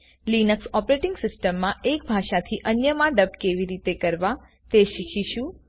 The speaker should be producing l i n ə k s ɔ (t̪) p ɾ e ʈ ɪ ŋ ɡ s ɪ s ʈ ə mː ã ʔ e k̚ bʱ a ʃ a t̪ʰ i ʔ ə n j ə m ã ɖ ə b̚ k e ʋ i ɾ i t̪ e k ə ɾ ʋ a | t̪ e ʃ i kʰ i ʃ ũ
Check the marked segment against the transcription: incorrect: none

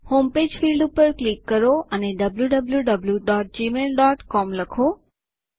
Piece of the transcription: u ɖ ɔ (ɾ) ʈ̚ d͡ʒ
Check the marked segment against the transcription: incorrect: none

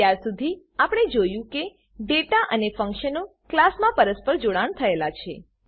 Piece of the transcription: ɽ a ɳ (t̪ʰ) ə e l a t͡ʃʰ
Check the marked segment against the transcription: correct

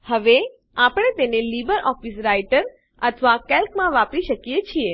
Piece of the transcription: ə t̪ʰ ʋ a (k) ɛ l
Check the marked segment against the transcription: correct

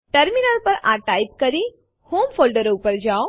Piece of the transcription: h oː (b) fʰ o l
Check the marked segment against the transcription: incorrect: m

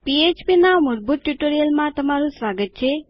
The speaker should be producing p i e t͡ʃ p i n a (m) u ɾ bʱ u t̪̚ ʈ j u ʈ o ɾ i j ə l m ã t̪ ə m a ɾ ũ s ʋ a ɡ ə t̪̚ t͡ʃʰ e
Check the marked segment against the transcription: correct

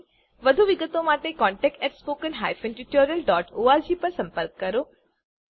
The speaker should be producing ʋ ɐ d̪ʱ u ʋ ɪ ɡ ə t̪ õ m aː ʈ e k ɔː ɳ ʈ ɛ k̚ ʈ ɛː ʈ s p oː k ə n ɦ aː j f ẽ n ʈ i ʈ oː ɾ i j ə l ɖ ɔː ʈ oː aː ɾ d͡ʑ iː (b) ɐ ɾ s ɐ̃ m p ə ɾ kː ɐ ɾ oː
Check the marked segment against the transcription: incorrect: p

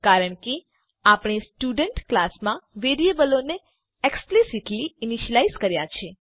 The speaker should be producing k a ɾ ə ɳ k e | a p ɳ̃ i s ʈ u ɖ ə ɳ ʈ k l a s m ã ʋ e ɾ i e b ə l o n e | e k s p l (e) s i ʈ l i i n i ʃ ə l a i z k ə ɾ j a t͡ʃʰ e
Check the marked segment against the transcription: incorrect: i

